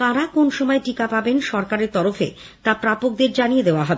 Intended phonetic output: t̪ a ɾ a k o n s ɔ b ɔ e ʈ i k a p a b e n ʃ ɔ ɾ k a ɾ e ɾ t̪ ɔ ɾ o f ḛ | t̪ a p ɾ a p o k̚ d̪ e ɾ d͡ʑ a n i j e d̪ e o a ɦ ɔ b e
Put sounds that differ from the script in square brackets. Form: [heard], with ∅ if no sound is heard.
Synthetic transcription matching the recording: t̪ a ɾ a k o n [ʃ] ɔ [m] ɔ e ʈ i k a p a b e n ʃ ɔ ɾ k a ɾ e ɾ t̪ ɔ ɾ o f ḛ | t̪ a p ɾ a p o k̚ d̪ e ɾ d͡ʑ a n i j e d̪ e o a ɦ ɔ b e